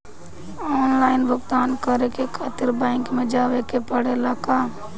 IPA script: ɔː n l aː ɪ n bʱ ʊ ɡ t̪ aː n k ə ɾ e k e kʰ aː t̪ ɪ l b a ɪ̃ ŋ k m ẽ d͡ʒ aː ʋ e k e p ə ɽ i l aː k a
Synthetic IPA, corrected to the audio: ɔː n l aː ɪ n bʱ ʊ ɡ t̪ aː n k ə ɾ e k e kʰ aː t̪ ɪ ɾ b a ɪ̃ ŋ k m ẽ d͡ʒ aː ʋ e k e p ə ɽ e l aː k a